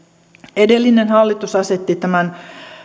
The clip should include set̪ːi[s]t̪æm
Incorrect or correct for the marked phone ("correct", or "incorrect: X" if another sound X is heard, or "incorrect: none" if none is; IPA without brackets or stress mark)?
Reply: incorrect: none